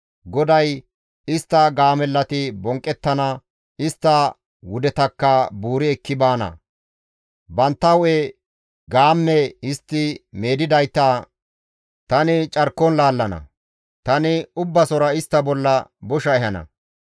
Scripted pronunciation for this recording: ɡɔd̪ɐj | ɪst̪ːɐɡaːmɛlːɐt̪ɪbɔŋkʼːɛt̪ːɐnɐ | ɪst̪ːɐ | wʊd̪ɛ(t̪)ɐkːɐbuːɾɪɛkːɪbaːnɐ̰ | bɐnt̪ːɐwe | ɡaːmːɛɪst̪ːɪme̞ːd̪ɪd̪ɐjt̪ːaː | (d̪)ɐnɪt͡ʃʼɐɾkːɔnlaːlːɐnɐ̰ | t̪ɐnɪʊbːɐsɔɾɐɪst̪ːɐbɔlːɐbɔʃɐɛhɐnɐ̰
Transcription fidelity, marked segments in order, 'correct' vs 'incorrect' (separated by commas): correct, incorrect